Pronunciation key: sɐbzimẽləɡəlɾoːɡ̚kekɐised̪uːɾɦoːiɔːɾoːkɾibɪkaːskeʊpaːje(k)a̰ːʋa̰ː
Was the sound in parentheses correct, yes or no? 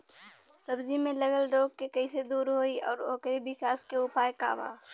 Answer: yes